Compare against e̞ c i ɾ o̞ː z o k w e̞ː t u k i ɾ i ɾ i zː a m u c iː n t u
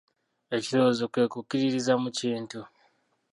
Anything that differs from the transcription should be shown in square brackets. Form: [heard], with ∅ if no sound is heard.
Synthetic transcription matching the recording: e̞ c i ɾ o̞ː z o k w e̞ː [k] u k i ɾ i ɾ i [z] a m u c iː n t u